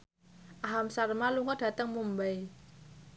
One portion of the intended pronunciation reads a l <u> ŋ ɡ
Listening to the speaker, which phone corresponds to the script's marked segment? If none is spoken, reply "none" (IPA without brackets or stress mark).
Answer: u